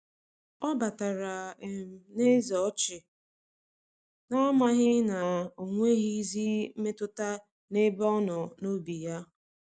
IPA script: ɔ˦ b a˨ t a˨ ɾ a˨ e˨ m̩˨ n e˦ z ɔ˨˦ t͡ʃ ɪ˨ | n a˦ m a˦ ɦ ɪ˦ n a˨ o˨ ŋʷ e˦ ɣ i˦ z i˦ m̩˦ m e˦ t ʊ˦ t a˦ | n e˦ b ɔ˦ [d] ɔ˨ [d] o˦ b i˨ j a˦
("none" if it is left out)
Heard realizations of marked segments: n, n

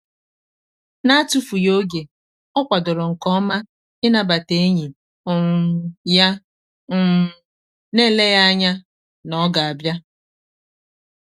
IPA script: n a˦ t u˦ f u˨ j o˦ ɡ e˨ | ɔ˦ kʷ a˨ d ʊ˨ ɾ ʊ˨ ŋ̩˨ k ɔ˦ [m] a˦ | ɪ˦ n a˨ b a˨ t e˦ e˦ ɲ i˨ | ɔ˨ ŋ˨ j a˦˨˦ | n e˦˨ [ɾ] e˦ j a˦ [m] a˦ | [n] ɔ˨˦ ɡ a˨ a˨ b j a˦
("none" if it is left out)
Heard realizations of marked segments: m, l, ɲ, n

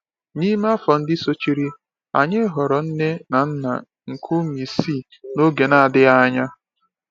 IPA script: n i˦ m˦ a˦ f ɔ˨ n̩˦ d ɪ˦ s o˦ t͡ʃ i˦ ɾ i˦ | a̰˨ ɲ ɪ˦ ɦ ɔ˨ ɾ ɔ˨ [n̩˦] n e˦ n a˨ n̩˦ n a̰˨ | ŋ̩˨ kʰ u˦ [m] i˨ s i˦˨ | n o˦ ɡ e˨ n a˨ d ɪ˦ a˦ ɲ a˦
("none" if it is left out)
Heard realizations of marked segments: n̩˦, m

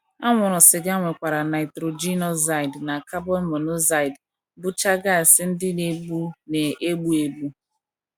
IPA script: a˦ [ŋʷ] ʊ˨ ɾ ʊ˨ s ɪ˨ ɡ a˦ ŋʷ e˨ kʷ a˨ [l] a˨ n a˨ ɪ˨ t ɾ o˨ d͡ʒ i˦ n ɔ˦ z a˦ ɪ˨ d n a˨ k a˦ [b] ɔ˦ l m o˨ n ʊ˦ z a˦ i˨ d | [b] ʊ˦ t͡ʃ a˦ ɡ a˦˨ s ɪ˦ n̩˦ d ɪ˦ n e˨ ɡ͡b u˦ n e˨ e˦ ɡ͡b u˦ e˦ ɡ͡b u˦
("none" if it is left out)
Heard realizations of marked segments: ŋʷ, ɾ, b, b

